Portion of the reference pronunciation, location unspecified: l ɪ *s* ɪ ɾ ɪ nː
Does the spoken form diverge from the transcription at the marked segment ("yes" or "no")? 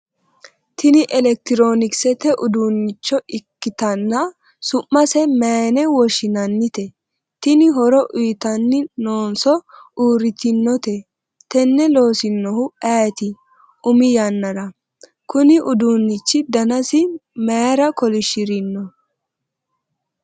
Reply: yes